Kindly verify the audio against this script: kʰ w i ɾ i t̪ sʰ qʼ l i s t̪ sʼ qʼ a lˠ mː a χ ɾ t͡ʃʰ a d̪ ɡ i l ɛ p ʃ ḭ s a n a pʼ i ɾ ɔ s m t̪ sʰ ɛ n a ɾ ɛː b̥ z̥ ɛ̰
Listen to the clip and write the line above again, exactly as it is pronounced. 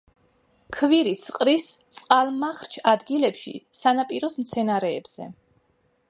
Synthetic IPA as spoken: kʰ v i ɾ i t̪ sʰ qʼ ɾ i s t̪ sʼ qʼ a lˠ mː a χ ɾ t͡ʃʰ a d̪ ɡ i l ɛ p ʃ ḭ s a n a pʼ i ɾ ɔ s m t̪ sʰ ɛ n a ɾ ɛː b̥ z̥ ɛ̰

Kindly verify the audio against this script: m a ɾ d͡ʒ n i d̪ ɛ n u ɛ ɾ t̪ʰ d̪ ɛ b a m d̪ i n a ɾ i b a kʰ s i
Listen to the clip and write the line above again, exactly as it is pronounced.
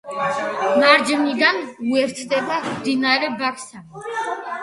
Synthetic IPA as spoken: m a ɾ d͡ʒ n i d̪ a n u ɛ ɾ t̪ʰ d̪ ɛ b a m d̪ i n a ɾ ɛ b a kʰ s a

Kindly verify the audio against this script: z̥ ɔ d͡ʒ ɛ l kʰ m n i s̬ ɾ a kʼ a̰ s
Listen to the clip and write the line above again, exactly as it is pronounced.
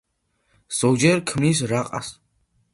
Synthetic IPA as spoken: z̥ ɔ d͡ʒ ɛ ɾ kʰ m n i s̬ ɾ a qʼ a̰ s

